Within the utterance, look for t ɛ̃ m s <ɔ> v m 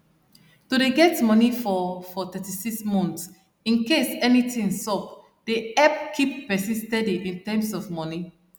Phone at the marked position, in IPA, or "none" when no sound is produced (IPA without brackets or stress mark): ɔ